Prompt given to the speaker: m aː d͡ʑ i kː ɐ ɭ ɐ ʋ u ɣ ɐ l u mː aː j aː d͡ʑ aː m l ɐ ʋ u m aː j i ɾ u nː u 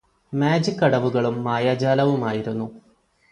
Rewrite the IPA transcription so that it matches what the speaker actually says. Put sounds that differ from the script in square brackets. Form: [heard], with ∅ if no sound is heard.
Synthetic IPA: m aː d͡ʑ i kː ɐ [ɽ] ɐ ʋ u ɣ ɐ [ɭ] u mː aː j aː d͡ʑ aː [∅] l ɐ ʋ u m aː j i ɾ u nː u